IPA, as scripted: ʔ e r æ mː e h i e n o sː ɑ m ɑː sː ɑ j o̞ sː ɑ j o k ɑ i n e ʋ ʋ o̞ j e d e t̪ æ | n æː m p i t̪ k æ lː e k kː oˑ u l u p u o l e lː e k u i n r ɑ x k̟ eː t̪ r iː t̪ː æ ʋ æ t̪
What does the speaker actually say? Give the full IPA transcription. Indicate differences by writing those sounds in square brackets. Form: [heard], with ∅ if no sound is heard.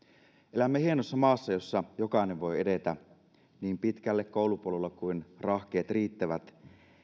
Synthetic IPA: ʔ e [l] æ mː e h i e n o sː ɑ m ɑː sː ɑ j o̞ sː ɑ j o k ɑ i n e ʋ ʋ o̞ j e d e t̪ æ | n [iː] m p i t̪ k æ lː e k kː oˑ u l u p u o l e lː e k u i n r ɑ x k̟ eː t̪ r iː t̪ː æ ʋ æ t̪